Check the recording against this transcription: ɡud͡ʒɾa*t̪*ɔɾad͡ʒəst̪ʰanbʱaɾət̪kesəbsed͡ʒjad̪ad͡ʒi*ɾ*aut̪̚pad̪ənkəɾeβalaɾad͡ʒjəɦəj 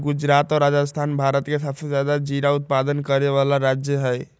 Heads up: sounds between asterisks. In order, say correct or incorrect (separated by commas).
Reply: correct, correct